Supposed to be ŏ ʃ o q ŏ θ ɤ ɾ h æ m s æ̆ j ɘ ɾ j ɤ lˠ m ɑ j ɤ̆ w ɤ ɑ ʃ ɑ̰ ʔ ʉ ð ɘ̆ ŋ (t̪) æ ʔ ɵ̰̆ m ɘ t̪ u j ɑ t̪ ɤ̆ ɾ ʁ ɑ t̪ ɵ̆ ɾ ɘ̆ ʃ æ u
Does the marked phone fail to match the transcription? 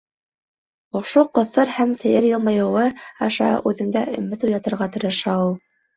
yes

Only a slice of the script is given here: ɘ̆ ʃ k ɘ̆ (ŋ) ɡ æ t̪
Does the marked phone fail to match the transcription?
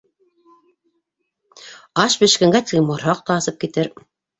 no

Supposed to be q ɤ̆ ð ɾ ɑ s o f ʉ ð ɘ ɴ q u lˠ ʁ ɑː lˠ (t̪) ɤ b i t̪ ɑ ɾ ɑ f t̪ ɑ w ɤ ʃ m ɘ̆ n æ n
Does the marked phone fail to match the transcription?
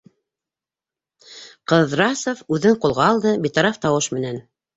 yes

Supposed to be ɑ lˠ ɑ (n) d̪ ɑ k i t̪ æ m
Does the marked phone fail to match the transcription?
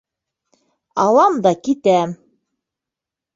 yes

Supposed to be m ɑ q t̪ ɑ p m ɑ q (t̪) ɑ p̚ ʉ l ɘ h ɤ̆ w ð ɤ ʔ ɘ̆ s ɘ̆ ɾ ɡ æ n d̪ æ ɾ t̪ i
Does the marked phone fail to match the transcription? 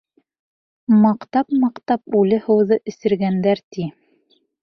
no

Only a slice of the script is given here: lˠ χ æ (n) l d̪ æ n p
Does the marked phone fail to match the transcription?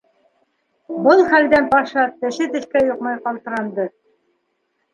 yes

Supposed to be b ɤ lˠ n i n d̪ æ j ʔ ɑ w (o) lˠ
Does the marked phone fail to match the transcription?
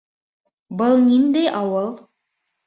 yes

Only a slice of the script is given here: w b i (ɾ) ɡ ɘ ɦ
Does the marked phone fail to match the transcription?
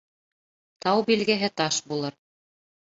yes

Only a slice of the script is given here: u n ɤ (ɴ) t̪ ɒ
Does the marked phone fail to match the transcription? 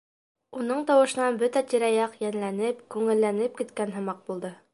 no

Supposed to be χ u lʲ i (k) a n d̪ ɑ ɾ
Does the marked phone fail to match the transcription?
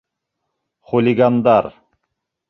yes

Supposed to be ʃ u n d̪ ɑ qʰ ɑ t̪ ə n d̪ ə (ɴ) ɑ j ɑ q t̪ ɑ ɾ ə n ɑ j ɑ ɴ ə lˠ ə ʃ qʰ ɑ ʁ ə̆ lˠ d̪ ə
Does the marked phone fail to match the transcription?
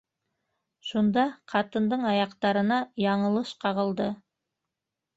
no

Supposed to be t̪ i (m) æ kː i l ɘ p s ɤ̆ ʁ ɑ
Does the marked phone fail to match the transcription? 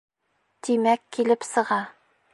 no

